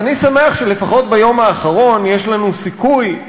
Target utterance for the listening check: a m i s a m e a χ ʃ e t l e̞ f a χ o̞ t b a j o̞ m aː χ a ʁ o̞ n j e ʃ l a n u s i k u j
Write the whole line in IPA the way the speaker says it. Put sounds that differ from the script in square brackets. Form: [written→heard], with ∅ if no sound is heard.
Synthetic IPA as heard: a [m→n] i s a m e a χ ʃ e [t→∅] l e̞ f a χ o̞ t b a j o̞ m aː χ a ʁ o̞ n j e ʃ l a n u s i k u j